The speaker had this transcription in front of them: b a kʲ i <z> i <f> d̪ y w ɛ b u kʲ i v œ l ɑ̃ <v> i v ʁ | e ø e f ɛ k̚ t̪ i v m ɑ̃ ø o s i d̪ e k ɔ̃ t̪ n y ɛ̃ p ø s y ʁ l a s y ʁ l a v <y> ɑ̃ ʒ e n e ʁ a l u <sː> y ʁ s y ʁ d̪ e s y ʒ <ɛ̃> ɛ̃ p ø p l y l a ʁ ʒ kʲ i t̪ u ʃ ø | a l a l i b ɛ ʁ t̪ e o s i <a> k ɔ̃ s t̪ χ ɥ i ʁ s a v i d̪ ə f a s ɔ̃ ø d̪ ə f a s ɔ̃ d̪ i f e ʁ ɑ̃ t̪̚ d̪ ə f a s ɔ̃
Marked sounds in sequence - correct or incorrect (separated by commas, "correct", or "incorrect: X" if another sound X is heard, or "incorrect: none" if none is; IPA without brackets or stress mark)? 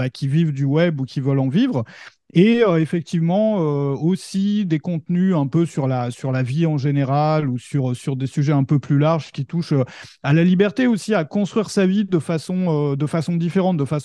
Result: incorrect: v, incorrect: v, correct, incorrect: i, incorrect: s, incorrect: ɛ, correct